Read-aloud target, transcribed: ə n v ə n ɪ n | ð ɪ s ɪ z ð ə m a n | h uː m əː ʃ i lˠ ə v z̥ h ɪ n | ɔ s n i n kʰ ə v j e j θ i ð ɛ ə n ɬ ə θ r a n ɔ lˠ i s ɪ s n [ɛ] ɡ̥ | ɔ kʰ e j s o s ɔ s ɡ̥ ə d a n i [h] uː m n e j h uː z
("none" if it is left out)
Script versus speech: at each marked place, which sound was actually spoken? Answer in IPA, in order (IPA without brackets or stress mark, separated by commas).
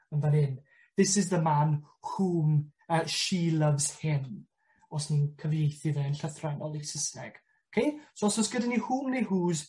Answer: ɛ, h